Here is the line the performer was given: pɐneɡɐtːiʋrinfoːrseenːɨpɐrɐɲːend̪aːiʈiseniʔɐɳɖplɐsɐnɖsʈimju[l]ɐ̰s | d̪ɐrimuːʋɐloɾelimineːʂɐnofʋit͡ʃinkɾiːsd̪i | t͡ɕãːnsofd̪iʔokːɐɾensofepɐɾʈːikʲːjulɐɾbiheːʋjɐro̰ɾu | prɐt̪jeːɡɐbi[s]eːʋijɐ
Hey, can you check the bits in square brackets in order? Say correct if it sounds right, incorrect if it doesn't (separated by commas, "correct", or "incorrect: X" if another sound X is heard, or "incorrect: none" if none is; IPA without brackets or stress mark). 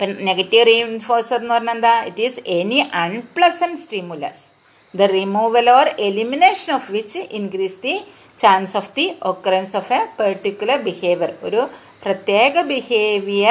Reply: correct, incorrect: h